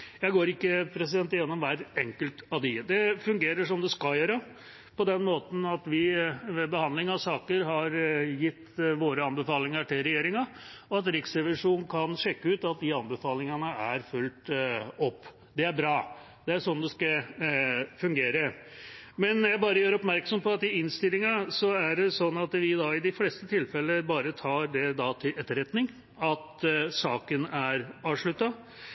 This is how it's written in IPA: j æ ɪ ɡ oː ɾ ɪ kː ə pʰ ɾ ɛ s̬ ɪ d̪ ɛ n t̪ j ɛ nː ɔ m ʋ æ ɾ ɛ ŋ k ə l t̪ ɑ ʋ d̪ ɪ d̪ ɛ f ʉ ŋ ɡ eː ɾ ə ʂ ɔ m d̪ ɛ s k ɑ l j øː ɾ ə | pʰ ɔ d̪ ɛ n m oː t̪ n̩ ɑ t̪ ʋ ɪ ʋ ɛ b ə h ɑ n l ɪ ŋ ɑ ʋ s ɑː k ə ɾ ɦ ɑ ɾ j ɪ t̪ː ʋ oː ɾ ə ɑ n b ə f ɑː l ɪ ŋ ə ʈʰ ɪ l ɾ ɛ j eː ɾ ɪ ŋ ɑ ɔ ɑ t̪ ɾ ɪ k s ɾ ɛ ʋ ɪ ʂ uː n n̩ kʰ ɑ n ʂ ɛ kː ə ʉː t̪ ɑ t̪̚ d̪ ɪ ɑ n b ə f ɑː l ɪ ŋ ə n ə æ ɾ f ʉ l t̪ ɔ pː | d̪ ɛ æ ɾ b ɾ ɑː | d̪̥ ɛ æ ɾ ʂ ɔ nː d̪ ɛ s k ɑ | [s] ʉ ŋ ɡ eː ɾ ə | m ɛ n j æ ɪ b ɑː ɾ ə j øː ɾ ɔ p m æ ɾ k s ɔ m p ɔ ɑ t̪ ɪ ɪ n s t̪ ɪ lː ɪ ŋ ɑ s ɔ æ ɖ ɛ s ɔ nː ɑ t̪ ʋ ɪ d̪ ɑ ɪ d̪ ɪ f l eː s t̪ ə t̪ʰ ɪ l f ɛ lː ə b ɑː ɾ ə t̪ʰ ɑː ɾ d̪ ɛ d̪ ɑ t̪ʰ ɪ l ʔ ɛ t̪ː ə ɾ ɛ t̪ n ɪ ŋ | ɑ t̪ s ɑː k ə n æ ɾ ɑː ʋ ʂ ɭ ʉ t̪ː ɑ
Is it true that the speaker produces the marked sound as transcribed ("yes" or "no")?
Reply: no